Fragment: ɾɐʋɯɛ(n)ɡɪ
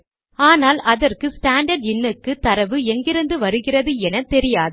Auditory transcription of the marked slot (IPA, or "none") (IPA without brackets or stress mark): ŋ